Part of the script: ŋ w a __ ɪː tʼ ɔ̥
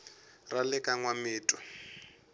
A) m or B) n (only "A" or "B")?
A